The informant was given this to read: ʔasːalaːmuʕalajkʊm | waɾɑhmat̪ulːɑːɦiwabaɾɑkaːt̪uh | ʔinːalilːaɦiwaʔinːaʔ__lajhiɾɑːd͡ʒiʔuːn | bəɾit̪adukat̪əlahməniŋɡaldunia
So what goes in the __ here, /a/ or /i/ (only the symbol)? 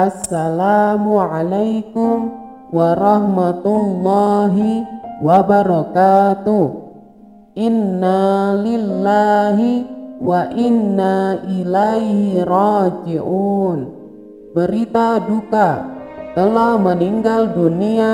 i